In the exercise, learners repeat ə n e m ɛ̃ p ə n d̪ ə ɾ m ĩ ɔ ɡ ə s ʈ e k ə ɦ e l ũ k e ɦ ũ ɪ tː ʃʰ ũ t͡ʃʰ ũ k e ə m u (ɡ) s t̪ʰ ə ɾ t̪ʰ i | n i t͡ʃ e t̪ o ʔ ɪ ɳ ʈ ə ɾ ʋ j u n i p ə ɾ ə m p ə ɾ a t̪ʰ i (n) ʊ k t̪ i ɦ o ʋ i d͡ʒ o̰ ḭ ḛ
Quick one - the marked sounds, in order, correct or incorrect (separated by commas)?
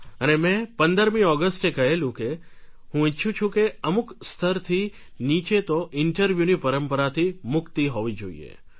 incorrect, incorrect